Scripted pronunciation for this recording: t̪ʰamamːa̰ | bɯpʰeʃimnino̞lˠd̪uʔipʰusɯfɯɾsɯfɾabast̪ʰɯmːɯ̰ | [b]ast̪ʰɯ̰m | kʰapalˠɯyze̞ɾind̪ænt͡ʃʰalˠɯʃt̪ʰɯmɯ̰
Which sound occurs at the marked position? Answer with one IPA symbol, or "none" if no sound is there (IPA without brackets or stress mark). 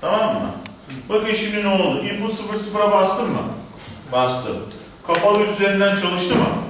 b